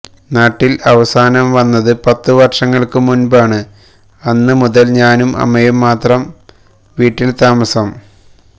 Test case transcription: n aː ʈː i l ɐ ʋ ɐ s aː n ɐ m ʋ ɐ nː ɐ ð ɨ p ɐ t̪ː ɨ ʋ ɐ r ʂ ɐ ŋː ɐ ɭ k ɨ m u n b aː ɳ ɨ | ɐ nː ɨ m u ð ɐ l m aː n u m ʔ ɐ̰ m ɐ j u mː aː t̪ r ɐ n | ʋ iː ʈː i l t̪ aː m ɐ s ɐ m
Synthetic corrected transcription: n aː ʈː i l ɐ ʋ ɐ s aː n ɐ m ʋ ɐ nː ɐ ð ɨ p ɐ t̪ː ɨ ʋ ɐ r ʂ ɐ ŋː ɐ ɭ k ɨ m u n b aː ɳ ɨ | ɐ nː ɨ m u ð ɐ l ɲ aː n u m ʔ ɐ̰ m ɐ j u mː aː t̪ r ɐ m | ʋ iː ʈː i l t̪ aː m ɐ s ɐ m

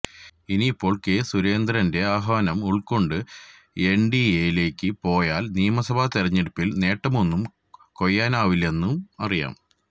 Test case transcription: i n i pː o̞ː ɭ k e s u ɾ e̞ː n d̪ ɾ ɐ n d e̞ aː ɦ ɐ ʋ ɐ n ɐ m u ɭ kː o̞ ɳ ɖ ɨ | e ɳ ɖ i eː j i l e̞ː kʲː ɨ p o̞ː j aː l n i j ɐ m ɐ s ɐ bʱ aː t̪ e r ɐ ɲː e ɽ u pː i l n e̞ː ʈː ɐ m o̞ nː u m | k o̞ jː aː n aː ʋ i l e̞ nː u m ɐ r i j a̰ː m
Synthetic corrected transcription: i n i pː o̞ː ɭ k e s u ɾ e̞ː n d̪ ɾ ɐ n d e̞ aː ɦ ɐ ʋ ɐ n ɐ m u ɭ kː o̞ ɳ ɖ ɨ | e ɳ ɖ i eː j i l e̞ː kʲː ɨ p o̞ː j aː l n i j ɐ m ɐ s ɐ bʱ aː t̪ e r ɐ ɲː e ɽ u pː i l n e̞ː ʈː ɐ m o̞ nː u m | k o̞ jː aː n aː ʋ i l e̞ nː u m ɐ r i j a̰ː m

